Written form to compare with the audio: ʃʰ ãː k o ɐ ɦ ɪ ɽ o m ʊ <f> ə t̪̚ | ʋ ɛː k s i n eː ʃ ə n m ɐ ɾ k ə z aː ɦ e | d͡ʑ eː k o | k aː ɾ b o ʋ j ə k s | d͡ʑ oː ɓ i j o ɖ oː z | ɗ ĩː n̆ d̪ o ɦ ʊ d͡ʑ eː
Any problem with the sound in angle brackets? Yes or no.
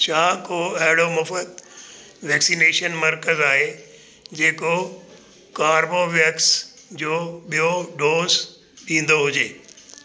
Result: no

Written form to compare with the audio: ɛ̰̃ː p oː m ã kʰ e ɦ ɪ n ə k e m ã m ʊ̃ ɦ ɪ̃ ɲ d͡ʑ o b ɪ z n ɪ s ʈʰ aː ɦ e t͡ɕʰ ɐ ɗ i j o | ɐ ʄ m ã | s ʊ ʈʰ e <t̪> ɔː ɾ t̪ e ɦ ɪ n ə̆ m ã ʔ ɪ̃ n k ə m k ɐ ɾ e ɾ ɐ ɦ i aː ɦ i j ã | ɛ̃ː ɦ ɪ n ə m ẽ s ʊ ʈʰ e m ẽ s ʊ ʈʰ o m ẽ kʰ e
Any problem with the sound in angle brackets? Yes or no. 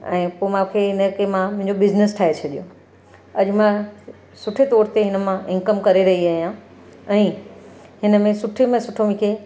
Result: no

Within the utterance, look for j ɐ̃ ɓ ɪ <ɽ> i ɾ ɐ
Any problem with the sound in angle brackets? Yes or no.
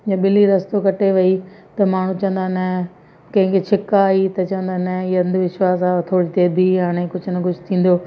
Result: yes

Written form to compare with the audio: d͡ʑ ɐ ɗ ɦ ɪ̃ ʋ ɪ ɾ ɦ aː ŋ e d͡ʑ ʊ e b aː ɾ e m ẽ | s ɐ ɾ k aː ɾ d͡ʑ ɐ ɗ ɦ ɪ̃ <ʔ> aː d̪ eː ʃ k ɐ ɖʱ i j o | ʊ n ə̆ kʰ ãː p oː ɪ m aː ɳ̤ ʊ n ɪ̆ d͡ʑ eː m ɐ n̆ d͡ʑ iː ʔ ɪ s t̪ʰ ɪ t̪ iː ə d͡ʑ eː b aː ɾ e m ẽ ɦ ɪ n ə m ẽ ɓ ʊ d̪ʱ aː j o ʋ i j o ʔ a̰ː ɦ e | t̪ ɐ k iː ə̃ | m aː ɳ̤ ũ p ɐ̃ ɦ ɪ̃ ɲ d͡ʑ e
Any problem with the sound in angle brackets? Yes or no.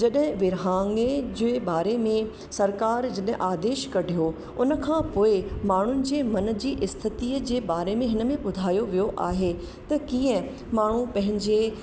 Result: no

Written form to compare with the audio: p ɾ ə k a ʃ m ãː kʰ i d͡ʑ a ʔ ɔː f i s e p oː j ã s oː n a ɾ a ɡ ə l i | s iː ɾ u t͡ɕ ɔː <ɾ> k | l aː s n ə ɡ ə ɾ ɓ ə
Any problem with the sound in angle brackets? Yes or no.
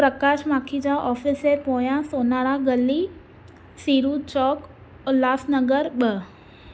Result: yes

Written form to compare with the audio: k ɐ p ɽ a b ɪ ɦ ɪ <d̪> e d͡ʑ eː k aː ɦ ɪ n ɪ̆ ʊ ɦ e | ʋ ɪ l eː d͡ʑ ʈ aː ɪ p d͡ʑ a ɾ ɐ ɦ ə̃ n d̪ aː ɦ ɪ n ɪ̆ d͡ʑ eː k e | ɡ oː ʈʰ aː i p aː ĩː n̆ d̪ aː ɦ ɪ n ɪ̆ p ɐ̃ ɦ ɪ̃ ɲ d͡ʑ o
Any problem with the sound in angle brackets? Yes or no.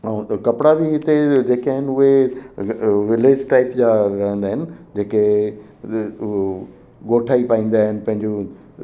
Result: yes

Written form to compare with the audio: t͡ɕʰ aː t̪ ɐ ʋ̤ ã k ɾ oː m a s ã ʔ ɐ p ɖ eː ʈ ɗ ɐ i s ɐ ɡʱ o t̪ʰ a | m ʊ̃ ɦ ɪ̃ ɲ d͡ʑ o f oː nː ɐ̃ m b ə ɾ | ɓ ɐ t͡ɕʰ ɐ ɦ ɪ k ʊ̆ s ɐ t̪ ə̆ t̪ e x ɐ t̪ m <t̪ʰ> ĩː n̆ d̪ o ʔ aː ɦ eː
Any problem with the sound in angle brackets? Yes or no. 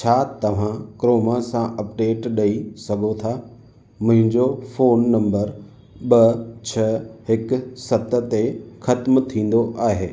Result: no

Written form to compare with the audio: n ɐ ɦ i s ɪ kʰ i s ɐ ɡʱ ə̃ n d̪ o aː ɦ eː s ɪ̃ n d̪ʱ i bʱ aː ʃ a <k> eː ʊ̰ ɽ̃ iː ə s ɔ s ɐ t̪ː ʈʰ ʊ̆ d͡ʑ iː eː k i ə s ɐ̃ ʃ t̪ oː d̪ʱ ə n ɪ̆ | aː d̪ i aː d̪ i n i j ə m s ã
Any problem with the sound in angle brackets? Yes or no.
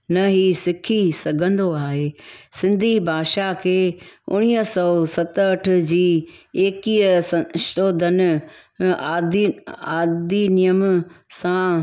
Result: yes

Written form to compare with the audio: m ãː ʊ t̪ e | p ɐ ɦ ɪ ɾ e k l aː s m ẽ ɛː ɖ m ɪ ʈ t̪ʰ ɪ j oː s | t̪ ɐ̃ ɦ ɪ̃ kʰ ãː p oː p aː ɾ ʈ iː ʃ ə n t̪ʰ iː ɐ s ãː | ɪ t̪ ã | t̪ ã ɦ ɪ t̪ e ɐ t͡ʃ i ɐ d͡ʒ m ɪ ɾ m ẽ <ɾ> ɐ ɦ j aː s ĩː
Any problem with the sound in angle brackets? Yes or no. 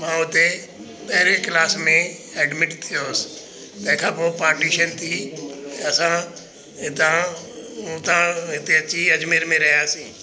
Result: no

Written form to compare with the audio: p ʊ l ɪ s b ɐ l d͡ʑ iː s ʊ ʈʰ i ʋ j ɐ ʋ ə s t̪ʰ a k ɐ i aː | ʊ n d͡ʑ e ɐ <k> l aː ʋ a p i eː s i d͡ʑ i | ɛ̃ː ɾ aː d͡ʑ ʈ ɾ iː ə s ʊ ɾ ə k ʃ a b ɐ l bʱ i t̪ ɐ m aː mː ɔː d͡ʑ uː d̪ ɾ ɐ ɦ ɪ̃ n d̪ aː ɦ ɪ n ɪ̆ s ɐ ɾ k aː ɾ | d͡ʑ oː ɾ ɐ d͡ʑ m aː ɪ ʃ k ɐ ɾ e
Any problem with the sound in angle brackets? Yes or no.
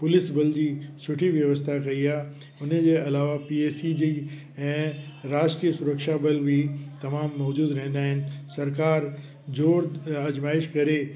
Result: yes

